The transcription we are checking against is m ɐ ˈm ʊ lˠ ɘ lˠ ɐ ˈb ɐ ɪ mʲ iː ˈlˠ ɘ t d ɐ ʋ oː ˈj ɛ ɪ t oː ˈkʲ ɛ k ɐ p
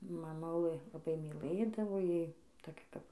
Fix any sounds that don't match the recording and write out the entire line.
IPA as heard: m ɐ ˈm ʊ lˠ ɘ lˠ ɐ ˈb ɐ ɪ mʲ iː ˈlˠ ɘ d ɐ ʋ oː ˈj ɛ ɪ t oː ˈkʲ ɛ k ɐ p